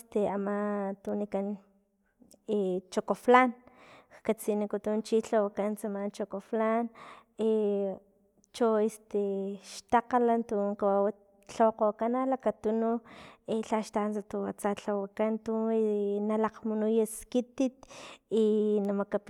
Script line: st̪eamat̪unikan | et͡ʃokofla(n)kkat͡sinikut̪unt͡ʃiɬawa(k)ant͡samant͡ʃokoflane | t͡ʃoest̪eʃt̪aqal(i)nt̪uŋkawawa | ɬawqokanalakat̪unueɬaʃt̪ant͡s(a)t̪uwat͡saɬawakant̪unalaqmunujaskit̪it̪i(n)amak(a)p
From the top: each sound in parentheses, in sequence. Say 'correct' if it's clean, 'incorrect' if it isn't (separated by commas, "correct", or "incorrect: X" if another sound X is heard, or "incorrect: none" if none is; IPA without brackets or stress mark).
correct, correct, incorrect: a, correct, correct, correct